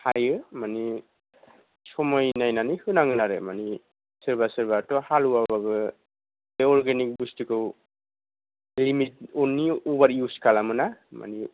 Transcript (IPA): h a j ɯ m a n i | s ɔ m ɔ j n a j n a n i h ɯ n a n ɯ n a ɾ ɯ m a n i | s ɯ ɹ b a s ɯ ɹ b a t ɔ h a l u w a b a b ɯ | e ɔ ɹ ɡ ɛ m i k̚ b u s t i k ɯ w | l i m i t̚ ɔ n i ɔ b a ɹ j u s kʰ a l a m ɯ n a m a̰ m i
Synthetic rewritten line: h a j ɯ m a n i | s ɔ m ɔ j n a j n a n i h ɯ n a ŋ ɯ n a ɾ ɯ m a n i | s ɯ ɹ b a s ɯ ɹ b a t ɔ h a l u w a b a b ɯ | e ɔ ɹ ɡ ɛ n i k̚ b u s t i k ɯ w | l i m i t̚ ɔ n i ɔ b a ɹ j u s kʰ a l a m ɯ n a m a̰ n i

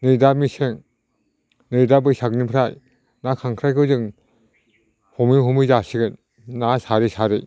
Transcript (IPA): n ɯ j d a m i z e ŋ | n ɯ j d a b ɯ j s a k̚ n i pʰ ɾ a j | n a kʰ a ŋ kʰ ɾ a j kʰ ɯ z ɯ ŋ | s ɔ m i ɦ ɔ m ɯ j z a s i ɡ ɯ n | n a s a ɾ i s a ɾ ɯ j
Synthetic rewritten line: n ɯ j d a m i s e ŋ | n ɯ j d a b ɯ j s a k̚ n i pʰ ɾ a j | n a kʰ a ŋ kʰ ɾ a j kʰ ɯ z ɯ ŋ | h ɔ m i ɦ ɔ m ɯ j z a s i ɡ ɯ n | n a s a ɾ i s a ɾ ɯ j

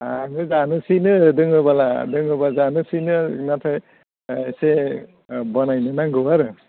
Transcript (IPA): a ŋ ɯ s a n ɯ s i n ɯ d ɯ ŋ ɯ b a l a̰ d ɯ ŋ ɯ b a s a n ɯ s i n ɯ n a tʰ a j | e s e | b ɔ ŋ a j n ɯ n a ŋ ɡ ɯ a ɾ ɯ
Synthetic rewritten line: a ŋ ɯ z a n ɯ s i n ɯ d ɯ ŋ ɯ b a l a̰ d ɯ ŋ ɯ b a z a n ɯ s i n ɯ n a tʰ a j | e s e | b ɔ n a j n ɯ n a ŋ ɡ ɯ a ɾ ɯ

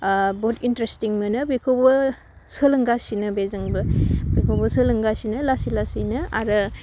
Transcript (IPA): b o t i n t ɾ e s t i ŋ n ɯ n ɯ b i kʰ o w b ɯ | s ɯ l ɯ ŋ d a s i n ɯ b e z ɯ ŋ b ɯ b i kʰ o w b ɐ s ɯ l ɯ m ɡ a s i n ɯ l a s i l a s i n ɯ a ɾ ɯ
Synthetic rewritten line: b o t i n t ɾ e s t i ŋ m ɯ n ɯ b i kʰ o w b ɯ | s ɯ l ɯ ŋ ɡ a s i n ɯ b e z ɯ ŋ b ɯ b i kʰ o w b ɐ s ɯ l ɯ ŋ ɡ a s i n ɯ l a s i l a s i n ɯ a ɾ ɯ

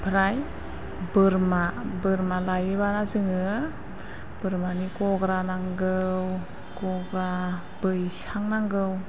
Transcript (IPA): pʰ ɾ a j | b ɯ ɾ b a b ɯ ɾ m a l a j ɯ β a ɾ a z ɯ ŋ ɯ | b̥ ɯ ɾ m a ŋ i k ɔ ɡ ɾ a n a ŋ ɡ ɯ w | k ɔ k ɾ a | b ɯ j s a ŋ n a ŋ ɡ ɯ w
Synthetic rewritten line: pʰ ɾ a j | b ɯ ɾ m a b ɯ ɾ m a l a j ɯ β a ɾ a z ɯ ŋ ɯ | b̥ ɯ ɾ m a n i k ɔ ɡ ɾ a n a ŋ ɡ ɯ w | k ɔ ɡ ɾ a | b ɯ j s a ŋ n a ŋ ɡ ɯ w

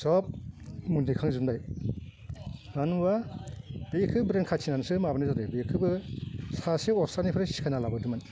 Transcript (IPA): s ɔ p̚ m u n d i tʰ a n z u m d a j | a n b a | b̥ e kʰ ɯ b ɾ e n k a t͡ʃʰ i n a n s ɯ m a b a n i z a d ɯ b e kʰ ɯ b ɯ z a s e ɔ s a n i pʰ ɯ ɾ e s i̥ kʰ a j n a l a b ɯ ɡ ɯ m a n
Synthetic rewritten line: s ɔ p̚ m u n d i kʰ a ŋ z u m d a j | a n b a | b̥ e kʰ ɯ b ɾ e n kʰ a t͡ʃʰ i n a n s ɯ m a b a n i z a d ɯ b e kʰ ɯ b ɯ s a s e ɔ s a n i pʰ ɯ ɾ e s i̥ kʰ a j n a l a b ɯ d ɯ m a n

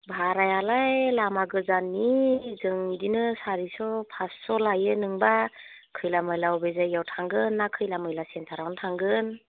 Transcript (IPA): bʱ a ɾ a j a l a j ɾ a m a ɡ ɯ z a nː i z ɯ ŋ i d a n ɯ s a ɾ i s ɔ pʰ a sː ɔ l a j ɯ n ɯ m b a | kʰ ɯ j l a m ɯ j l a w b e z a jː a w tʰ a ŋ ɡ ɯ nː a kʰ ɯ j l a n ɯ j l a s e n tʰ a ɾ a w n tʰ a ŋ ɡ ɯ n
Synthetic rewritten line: bʱ a ɾ a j a l a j l a m a ɡ ɯ z a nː i z ɯ ŋ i d i n ɯ s a ɾ i s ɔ pʰ a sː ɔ l a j ɯ n ɯ ŋ b a | kʰ ɯ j l a m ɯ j l a w b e z a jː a w tʰ a ŋ ɡ ɯ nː a kʰ ɯ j l a m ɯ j l a s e n tʰ a ɾ a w n tʰ a ŋ ɡ ɯ n

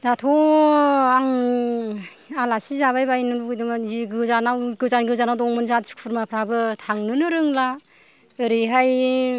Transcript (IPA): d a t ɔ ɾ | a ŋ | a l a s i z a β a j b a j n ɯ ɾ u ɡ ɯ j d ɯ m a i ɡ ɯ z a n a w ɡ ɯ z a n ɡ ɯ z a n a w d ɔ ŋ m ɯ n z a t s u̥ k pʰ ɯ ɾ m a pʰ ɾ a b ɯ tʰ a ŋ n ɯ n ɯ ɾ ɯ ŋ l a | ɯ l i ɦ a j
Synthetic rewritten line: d a tʰ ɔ | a ŋ | a l a s i z a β a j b a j n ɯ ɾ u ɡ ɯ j d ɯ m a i ɡ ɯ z a n a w ɡ ɯ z a n ɡ ɯ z a n a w d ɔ ŋ m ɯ n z a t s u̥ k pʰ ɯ ɾ m a pʰ ɾ a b ɯ tʰ a ŋ n ɯ n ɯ ɾ ɯ ŋ l a | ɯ ɾ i ɦ a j

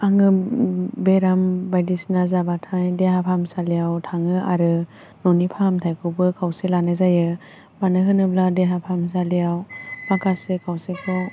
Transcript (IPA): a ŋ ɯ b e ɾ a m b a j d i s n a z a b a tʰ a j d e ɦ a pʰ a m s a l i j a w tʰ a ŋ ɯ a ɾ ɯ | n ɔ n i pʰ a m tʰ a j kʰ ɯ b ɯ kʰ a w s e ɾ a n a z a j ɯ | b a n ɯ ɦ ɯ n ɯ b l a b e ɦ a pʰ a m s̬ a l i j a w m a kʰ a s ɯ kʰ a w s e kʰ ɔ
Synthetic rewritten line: a ŋ ɯ b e ɾ a m b a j d i s n a z a b a tʰ a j d e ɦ a pʰ a m s a l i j a w tʰ a ŋ ɯ a ɾ ɯ | n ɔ n i pʰ a m tʰ a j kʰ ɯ b ɯ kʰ a w s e l a n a z a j ɯ | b a n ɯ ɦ ɯ n ɯ b l a d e ɦ a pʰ a m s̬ a l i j a w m a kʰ a s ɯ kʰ a w s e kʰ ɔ

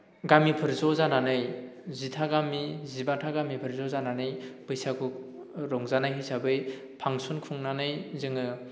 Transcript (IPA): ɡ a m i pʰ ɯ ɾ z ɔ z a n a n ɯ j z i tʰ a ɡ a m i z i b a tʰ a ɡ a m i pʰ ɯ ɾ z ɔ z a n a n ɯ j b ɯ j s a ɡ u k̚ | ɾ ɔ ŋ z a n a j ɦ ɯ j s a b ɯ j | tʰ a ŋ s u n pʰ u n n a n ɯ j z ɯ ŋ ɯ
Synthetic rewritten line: ɡ a m i pʰ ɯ ɾ z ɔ z a n a n ɯ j z i tʰ a ɡ a m i z i b a tʰ a ɡ a m i pʰ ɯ ɾ z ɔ z a n a n ɯ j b ɯ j s a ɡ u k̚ | ɾ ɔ ŋ z a n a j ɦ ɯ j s a b ɯ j | pʰ a ŋ s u n kʰ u ŋ n a n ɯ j z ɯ ŋ ɯ

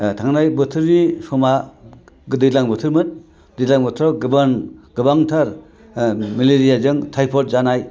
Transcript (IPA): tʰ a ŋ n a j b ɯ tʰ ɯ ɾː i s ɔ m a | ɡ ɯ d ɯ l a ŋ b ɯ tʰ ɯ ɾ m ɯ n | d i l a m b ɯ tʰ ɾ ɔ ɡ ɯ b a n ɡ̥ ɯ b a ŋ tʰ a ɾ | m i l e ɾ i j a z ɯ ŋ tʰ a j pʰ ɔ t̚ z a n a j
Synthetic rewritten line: tʰ a ŋ n a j b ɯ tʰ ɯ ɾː i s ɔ m a | ɡ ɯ d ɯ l a ŋ b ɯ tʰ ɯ ɾ m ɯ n | d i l a ŋ b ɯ tʰ ɾ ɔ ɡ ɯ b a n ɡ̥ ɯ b a ŋ tʰ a ɾ | m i l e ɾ i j a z ɯ ŋ tʰ a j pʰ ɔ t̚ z a n a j

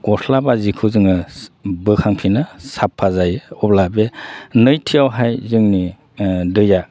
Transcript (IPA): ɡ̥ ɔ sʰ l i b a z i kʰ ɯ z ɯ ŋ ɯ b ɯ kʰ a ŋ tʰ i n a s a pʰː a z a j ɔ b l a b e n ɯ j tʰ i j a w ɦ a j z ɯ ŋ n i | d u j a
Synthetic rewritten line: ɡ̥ ɔ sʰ l a b a z i kʰ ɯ z ɯ ŋ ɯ b ɯ kʰ a ŋ pʰ i n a s a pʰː a z a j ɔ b l a b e n ɯ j tʰ i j a w ɦ a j z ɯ ŋ n i | d ɯ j a

